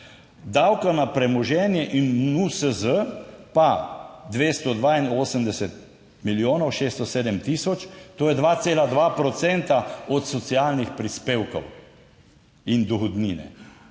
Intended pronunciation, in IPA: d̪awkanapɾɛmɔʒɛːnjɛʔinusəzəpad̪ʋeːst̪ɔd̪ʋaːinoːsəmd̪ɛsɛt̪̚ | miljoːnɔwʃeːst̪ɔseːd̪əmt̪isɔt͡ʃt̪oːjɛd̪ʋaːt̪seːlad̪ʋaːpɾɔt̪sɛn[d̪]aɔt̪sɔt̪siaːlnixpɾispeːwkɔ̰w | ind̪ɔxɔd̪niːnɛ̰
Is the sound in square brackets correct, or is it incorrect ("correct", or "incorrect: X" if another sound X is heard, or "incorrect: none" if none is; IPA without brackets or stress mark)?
incorrect: t̪